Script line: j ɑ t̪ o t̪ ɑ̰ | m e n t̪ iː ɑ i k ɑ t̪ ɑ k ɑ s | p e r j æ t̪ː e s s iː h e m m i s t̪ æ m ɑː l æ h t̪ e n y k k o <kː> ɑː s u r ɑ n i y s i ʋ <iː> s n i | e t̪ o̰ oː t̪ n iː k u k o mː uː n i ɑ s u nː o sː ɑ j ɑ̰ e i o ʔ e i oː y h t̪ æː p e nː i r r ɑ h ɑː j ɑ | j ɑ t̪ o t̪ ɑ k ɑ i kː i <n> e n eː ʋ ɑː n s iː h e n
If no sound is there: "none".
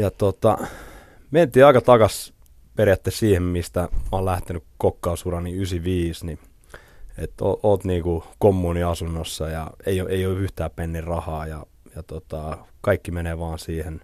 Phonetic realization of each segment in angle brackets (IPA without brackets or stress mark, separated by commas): kː, iː, m